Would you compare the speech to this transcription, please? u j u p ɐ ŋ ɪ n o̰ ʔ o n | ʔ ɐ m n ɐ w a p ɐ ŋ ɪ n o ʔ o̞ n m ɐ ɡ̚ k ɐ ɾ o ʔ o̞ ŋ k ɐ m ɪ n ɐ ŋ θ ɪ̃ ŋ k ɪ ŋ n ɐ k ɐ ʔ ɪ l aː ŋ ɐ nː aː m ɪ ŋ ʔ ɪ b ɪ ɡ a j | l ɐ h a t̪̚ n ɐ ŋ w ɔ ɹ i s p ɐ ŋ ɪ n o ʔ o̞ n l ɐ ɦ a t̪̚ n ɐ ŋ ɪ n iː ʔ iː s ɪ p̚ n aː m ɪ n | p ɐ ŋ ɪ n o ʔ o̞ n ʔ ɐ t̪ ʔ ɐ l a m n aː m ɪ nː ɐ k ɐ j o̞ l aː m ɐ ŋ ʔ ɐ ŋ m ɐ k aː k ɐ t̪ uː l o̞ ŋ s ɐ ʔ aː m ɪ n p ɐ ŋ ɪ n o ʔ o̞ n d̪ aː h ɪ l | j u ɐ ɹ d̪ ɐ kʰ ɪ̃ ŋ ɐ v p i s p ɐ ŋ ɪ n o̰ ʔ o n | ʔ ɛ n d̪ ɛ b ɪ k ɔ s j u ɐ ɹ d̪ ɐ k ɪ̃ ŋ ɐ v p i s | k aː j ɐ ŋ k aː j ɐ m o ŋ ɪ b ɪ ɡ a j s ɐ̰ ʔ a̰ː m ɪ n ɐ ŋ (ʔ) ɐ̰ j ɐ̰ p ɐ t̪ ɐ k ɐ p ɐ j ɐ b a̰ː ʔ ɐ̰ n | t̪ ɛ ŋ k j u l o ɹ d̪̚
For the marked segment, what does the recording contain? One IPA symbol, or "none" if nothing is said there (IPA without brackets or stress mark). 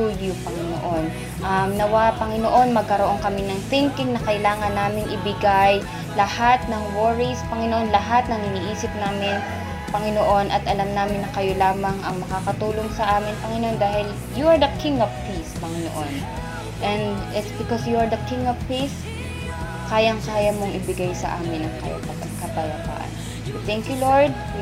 k